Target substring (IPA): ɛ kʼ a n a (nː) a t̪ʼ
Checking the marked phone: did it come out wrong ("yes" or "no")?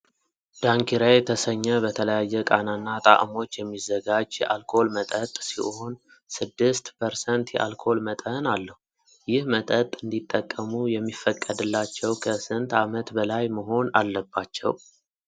no